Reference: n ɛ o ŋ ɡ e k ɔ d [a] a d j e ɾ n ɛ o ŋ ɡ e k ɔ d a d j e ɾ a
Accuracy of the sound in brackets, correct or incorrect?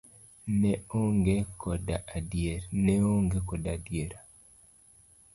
correct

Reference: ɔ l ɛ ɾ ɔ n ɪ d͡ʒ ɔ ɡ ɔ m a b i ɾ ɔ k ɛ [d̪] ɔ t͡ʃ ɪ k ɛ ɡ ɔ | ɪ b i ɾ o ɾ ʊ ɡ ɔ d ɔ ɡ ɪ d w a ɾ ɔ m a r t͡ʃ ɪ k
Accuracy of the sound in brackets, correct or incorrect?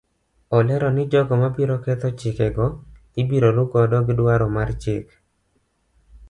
incorrect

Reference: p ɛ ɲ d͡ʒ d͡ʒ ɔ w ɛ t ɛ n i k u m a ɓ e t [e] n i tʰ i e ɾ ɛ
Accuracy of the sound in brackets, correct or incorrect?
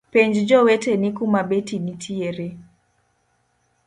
incorrect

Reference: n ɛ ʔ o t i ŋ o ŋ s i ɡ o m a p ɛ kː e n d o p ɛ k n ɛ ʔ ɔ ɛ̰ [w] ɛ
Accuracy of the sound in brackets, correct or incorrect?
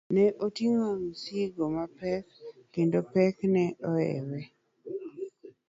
correct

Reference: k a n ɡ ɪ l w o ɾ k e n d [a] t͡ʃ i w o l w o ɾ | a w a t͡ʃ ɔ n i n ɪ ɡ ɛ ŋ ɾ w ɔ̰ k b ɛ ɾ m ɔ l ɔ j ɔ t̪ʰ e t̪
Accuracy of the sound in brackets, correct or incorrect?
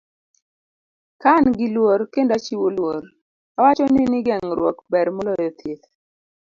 correct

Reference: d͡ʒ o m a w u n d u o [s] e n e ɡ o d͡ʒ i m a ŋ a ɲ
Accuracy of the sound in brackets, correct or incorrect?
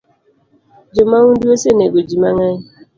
correct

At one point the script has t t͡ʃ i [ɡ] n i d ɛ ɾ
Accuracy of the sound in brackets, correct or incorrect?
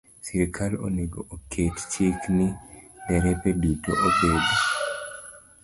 incorrect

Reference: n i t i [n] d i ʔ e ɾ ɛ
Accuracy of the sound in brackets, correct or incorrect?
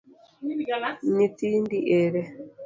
correct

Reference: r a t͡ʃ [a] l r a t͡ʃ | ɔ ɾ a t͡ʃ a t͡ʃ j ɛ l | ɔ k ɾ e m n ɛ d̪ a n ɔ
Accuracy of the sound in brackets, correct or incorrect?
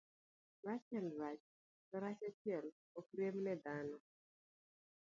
incorrect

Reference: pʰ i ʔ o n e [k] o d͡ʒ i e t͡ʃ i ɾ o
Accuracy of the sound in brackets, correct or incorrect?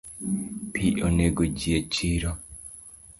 incorrect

